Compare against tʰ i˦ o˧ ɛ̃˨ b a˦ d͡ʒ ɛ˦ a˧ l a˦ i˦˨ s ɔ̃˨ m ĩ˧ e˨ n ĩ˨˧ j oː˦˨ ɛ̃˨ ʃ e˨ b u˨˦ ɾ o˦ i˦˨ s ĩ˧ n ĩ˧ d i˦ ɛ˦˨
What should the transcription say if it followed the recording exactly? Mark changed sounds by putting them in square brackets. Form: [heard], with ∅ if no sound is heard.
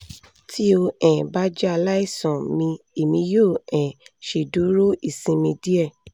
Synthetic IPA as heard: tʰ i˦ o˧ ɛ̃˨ b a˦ d͡ʒ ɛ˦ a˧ l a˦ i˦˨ s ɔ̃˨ m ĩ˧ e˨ [m] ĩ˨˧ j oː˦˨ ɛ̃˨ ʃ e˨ [d] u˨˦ ɾ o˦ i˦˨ s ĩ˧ [m] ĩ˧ d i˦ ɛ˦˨